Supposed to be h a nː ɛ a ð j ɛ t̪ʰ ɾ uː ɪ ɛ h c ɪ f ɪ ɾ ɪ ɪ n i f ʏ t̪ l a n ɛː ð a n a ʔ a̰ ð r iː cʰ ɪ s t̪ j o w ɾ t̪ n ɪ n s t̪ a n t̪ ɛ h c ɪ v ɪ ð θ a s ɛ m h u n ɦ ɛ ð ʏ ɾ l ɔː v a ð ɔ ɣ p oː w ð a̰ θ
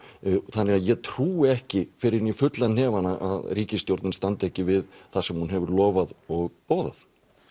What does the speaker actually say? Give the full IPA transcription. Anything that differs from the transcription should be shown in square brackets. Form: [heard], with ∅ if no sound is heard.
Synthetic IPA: [θ] a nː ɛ a ð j ɛ t̪ʰ ɾ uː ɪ ɛ h c ɪ f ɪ ɾ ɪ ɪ n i f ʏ t̪ l a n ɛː [v] a n a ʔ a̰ ð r iː [c] ɪ s t̪ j o w ɾ t̪ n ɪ n s t̪ a n t̪ ɛ h c ɪ v ɪ ð θ a s ɛ m h u n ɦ ɛ [v] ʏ ɾ l ɔː v a ð ɔ ɣ p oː w ð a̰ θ